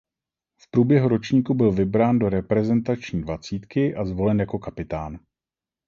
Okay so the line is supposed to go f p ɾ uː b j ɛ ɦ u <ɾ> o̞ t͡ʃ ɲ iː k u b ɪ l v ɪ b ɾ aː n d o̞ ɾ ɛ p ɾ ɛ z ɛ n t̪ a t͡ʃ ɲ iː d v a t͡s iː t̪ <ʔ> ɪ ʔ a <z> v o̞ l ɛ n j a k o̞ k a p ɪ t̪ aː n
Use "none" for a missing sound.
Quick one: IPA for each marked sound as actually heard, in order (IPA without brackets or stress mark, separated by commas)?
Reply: ɾ, k, z